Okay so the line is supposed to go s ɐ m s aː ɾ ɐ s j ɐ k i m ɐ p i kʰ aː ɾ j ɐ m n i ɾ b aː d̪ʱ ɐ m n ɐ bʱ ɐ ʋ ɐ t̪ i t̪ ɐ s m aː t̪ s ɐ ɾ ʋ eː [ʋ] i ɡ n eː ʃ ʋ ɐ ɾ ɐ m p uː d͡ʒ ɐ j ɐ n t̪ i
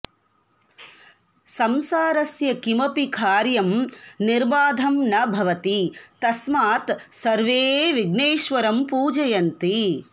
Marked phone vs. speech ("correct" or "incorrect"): correct